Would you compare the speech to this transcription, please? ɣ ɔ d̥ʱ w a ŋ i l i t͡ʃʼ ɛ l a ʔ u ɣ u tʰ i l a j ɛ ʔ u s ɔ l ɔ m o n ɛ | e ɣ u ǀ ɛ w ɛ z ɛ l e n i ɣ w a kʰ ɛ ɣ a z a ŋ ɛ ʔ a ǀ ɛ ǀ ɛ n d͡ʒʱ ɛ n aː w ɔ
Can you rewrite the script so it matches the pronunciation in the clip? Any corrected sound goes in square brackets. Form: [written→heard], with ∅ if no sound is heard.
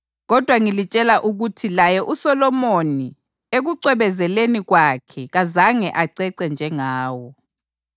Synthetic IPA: ɣ ɔ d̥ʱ w a ŋ i l i t͡ʃʼ ɛ l a ʔ u ɣ u tʰ i l a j ɛ ʔ u s ɔ l ɔ m o n [ɛ→i] | e ɣ u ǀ ɛ [w→β] ɛ z ɛ l e n i ɣ w a kʰ ɛ ɣ a z a ŋ ɛ ʔ a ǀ ɛ ǀ ɛ n d͡ʒʱ ɛ [n→ŋ] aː w ɔ